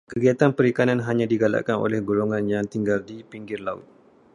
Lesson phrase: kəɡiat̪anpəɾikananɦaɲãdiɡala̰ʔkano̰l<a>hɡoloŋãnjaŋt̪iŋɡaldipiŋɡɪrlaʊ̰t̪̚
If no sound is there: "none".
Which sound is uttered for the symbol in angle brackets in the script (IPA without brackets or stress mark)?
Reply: ɛ